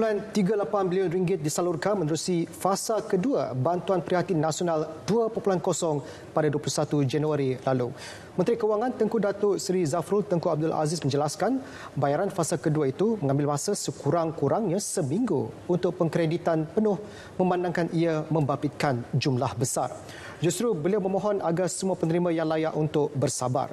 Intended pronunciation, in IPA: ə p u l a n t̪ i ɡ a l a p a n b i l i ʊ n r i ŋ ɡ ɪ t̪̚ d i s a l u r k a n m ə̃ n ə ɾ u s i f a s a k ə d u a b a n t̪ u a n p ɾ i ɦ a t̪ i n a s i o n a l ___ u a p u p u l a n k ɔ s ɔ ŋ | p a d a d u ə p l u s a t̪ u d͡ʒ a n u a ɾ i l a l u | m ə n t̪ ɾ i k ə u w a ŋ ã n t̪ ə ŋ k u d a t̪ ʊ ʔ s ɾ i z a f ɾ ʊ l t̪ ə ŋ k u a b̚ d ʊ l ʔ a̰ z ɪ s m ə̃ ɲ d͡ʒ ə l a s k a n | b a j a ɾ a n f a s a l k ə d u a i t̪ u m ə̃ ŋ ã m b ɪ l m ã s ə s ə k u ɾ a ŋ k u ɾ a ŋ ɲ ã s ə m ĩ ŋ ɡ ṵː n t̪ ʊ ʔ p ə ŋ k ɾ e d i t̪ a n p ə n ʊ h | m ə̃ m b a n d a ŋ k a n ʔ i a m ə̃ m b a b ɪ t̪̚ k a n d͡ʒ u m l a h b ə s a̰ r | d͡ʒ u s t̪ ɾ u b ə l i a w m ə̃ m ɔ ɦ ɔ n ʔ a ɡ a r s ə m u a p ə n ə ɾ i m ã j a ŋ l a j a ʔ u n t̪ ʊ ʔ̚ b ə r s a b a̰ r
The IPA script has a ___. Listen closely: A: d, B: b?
A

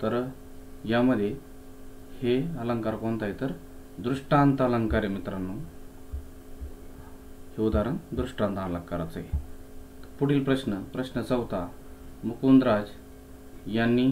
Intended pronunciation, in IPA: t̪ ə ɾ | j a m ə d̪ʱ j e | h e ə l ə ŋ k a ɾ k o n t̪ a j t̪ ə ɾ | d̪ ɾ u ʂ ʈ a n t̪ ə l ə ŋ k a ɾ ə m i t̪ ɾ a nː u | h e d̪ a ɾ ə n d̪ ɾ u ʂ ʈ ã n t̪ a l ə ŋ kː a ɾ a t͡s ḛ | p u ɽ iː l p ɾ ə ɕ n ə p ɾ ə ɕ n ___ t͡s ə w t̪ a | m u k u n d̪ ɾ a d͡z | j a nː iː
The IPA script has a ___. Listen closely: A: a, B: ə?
B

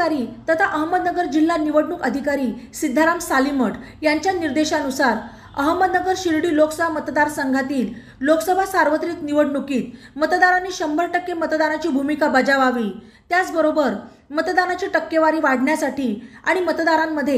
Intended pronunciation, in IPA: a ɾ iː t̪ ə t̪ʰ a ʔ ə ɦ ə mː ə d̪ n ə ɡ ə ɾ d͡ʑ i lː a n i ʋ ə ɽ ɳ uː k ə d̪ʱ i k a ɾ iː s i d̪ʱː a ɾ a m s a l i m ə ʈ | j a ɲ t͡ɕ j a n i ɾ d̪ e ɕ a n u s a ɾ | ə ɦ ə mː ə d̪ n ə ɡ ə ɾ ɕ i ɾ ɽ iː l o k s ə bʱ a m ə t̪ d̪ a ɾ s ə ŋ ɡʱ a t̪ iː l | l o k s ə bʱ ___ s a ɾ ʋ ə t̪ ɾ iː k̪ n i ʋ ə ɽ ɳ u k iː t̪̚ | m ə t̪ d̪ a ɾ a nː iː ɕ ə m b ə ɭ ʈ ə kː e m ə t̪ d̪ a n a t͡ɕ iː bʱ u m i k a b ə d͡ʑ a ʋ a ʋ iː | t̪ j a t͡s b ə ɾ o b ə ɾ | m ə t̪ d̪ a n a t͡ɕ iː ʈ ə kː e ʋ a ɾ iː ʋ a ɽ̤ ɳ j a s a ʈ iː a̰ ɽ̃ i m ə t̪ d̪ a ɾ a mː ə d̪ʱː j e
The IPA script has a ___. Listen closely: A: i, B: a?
B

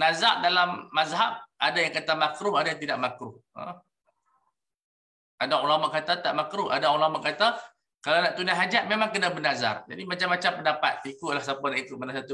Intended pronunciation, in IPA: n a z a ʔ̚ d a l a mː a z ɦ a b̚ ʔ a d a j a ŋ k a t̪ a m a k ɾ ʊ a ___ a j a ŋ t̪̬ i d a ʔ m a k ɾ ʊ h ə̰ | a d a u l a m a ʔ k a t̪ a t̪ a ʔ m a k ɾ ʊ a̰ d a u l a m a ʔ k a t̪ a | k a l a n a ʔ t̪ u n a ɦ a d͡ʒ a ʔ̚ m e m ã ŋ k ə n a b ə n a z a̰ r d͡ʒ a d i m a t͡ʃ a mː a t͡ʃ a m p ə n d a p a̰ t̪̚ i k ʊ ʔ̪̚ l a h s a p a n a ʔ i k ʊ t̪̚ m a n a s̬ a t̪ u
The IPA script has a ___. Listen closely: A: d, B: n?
A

